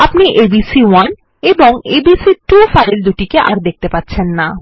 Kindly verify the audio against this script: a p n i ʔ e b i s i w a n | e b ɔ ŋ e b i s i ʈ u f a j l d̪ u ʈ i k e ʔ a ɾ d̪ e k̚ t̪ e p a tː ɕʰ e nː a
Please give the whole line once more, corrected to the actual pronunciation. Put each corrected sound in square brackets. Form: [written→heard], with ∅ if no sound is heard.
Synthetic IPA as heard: a p n i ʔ e b i s i w a n | e b [ɔ→o] ŋ e b i s i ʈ u f a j l d̪ u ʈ i k e ʔ a ɾ d̪ e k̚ t̪ e p a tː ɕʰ e nː a